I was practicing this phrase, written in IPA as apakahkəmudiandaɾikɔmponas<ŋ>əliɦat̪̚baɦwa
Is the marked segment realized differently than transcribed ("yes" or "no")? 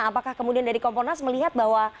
yes